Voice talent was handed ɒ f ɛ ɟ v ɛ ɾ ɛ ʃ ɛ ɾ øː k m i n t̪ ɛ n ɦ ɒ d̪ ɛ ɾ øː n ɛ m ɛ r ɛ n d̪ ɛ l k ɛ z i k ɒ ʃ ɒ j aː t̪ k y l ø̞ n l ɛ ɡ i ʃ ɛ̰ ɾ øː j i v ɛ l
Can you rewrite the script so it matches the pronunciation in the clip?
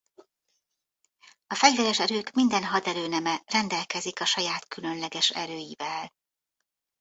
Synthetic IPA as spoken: ɒ f ɛ ɟ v ɛ ɾ ɛ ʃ ɛ ɾ øː k m i n d̪ ɛ n ɦ ɒ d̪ ɛ ɾ øː n ɛ m ɛ r ɛ n d̪ ɛ l k ɛ z i k ɒ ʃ ɒ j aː t̪ k y l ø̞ n l ɛ ɡ ɛ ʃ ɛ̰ ɾ øː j i v ɛ l